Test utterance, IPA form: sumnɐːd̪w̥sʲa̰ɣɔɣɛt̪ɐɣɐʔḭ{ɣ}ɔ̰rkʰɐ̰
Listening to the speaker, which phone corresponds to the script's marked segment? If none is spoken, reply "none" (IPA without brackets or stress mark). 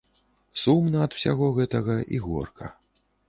ɣ